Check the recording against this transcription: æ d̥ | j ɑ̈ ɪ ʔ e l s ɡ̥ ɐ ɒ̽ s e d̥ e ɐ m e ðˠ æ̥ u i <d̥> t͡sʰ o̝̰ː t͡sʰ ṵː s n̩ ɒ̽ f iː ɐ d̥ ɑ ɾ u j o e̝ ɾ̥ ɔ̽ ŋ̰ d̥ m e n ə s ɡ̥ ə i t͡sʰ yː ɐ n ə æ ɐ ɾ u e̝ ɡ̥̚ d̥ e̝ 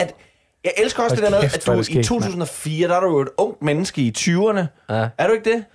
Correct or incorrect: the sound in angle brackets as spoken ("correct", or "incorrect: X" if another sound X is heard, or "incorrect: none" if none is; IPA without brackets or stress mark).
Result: incorrect: none